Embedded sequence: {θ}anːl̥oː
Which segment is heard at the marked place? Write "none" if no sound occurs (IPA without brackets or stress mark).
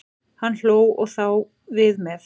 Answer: h